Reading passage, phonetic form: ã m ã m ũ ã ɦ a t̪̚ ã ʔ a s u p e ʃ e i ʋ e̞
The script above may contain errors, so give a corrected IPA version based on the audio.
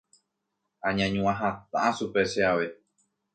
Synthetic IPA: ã ɲ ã ɲ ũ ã ɦ a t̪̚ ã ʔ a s u p e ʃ e a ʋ e̞